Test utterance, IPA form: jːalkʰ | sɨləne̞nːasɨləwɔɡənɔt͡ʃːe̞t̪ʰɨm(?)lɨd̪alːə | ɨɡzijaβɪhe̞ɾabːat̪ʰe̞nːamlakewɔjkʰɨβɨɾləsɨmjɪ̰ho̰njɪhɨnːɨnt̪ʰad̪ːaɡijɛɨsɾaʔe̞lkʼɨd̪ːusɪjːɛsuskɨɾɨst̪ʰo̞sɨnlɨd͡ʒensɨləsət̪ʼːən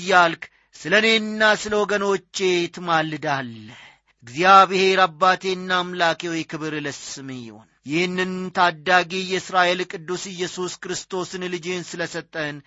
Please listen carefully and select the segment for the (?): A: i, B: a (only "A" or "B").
B